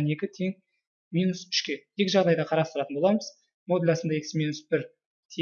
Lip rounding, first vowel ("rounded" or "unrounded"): unrounded